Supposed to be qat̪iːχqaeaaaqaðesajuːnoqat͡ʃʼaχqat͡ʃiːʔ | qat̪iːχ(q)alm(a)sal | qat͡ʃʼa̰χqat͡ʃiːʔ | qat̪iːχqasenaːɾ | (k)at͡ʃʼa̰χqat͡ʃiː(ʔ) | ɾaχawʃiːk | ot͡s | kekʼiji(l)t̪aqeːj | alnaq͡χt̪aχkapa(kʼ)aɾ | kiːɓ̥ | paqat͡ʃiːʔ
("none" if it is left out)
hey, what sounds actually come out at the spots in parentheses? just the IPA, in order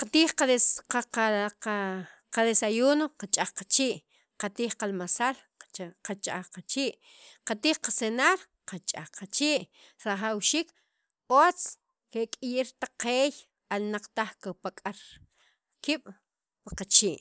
q, a, q, ʔ, ɾ, kʼ

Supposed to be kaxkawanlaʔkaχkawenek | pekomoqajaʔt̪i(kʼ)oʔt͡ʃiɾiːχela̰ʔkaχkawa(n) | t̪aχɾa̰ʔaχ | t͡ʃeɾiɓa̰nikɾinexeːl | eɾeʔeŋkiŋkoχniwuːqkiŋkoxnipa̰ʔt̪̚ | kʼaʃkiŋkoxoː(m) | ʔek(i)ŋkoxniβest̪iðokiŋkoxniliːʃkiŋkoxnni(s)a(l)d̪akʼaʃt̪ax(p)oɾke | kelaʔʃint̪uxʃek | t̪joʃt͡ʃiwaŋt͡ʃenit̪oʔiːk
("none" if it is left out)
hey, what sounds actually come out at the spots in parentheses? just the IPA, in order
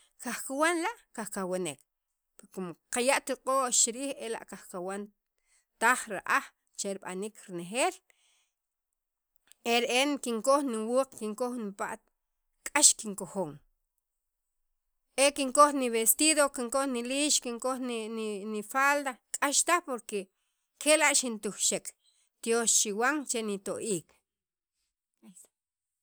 qʼ, n, ŋ, i, f, l, p

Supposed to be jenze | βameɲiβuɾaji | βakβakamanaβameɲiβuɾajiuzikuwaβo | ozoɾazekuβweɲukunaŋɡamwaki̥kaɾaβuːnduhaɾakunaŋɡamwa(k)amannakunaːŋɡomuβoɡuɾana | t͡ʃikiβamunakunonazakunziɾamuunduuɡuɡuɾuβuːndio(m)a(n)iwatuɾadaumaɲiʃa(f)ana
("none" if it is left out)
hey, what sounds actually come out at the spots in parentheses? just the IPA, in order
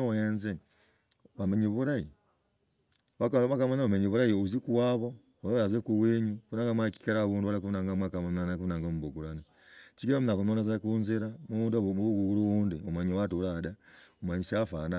k, m, ɲ, f

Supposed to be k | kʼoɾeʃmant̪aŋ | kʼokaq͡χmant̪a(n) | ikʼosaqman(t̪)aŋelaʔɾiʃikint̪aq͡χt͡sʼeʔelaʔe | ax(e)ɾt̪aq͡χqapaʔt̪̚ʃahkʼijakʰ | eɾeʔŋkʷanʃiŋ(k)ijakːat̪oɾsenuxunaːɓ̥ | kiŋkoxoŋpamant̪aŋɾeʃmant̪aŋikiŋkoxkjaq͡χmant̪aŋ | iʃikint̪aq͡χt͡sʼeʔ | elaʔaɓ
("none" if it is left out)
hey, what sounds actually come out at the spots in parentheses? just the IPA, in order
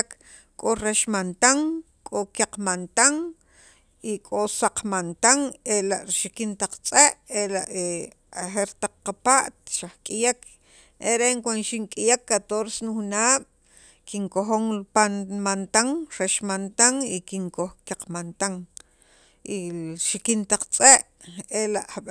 ŋ, t̪, e, kʼ

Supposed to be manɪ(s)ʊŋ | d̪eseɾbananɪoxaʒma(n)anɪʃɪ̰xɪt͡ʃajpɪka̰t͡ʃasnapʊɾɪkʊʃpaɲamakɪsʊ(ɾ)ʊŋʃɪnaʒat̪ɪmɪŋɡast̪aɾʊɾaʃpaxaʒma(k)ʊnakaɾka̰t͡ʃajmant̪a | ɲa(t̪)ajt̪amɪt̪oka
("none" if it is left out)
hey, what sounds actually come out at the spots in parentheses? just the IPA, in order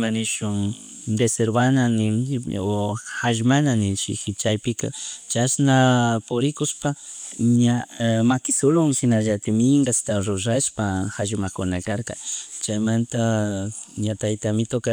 ʃ, n, l, k, t̪

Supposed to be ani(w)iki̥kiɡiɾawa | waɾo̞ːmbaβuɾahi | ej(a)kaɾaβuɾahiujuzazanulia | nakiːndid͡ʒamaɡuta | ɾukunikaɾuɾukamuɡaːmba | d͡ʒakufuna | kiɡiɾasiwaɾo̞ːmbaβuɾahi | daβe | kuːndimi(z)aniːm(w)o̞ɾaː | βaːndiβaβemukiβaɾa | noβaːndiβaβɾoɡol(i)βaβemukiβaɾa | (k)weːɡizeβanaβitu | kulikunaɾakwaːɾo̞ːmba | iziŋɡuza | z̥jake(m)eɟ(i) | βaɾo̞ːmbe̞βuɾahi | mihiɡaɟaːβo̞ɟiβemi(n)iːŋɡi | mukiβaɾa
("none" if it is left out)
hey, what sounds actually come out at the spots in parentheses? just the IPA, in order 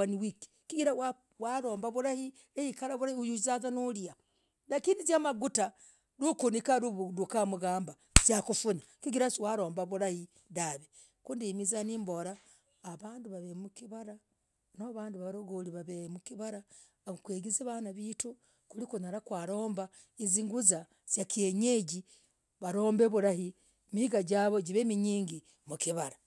w, i, z, b, i, k, ɲ, i, ɲ

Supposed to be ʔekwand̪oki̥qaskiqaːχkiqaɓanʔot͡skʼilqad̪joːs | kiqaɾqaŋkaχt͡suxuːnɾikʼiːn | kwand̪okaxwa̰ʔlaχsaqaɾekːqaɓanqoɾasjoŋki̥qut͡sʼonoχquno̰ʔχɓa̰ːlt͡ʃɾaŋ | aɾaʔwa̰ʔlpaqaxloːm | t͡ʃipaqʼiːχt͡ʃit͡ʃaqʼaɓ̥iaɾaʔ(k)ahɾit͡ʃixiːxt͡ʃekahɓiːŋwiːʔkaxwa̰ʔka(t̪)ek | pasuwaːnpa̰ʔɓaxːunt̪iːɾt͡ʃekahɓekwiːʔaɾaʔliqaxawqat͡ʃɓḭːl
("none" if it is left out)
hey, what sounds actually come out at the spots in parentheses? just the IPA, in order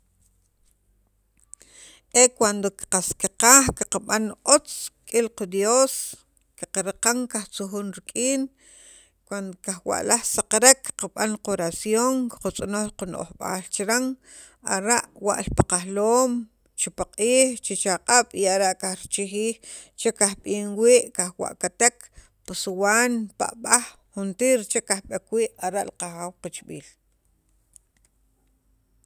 k, t̪

